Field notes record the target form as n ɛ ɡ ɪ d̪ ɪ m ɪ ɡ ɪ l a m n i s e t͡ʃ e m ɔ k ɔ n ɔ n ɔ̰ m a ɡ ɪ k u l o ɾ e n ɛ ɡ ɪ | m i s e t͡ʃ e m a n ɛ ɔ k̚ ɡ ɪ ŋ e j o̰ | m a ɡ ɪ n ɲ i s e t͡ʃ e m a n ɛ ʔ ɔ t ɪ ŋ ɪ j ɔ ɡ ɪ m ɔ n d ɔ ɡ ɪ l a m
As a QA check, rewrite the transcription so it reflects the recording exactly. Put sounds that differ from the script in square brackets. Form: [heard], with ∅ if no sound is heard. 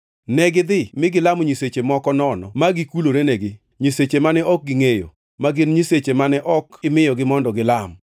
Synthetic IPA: n ɛ ɡ ɪ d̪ ɪ m ɪ ɡ ɪ l a m [ɲ] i s e t͡ʃ e m ɔ k ɔ n ɔ n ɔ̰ m a ɡ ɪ k u l o ɾ e n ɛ ɡ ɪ | [ɲ] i s e t͡ʃ e m a n ɛ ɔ k̚ ɡ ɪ ŋ e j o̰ | m a ɡ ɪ n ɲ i s e t͡ʃ e m a n ɛ ʔ ɔ [k] ɪ [m] ɪ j ɔ ɡ ɪ m ɔ n d ɔ ɡ ɪ l a m